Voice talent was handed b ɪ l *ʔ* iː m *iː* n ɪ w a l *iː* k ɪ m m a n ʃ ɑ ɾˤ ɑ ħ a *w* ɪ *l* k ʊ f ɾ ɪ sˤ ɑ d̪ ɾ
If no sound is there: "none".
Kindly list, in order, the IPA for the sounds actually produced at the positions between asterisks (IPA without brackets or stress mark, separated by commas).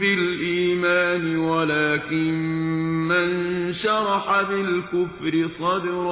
ʔ, aː, aː, b, l